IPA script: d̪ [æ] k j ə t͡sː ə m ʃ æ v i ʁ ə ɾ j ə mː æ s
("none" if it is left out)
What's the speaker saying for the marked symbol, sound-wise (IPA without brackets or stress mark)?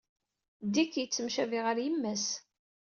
i